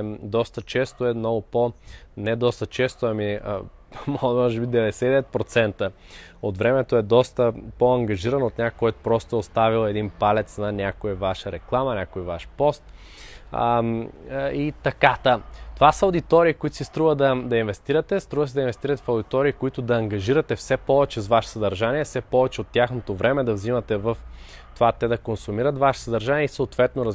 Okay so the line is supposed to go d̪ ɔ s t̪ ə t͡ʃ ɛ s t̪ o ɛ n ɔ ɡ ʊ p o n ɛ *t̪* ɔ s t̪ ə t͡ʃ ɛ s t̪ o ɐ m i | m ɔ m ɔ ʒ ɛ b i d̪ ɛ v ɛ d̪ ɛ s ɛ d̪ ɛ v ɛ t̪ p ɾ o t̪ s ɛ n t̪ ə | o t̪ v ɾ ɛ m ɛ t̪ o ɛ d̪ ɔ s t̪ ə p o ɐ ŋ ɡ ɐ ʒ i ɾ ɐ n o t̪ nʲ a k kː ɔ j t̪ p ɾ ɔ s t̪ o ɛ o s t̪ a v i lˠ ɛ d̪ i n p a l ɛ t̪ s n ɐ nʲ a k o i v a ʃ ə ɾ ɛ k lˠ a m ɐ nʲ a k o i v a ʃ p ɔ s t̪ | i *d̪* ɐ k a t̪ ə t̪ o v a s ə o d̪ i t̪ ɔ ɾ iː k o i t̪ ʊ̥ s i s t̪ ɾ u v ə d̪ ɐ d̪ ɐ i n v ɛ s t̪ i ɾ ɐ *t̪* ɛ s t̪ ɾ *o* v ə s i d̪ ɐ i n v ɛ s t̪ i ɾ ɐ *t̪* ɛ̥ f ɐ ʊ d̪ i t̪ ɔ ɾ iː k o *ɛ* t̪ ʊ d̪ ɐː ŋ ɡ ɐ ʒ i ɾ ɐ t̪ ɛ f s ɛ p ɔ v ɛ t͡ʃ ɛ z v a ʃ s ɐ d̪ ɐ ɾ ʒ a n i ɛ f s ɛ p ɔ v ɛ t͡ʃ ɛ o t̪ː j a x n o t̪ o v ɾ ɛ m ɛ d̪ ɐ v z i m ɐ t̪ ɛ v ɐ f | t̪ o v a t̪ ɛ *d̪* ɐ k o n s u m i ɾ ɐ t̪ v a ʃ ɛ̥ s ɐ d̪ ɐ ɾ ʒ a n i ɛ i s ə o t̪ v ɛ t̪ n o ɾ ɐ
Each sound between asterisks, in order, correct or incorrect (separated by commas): incorrect, incorrect, correct, incorrect, correct, incorrect, correct